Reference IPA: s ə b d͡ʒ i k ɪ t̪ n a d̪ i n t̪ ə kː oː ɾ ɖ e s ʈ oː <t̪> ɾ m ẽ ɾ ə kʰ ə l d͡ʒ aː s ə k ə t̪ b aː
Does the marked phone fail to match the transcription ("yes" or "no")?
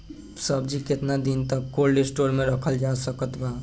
yes